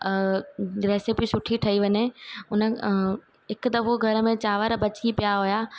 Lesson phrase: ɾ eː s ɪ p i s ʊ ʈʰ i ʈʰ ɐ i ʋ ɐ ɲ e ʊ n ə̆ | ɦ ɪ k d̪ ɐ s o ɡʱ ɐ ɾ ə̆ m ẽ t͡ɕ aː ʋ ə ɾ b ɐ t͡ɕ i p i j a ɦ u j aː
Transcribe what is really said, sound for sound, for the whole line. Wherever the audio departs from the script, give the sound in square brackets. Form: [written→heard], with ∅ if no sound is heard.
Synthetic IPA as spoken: ɾ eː s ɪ p i s ʊ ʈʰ i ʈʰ ɐ i ʋ ɐ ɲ e ʊ n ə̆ | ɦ ɪ k d̪ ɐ [s→f] o ɡʱ ɐ ɾ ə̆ m ẽ t͡ɕ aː ʋ ə ɾ b ɐ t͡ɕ i p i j a ɦ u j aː